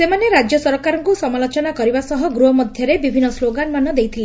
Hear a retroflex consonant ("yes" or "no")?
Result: no